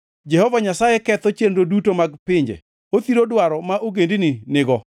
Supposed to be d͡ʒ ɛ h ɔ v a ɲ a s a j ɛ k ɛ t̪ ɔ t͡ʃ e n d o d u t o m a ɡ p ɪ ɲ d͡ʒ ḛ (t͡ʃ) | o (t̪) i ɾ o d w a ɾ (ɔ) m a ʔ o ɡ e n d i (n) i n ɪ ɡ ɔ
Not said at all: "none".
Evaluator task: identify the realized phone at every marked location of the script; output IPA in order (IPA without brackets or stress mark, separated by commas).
none, t̪, ɔ, n